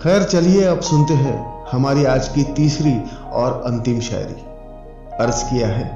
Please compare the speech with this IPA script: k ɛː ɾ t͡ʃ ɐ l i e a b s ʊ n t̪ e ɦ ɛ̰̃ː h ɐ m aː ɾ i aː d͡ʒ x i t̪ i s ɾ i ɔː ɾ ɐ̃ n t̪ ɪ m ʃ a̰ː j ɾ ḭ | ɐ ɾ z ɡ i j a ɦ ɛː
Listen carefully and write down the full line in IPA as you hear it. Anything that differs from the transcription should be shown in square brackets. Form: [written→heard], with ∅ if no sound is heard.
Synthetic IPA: [k→x] ɛː ɾ t͡ʃ ɐ l i e [a→ɐ] b s ʊ n t̪ e ɦ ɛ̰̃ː h ɐ m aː ɾ i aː d͡ʒ [x→k] i t̪ [i→iː] s ɾ i ɔː ɾ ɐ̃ n t̪ ɪ m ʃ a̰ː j ɾ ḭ | ɐ ɾ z [ɡ→k] i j a ɦ ɛː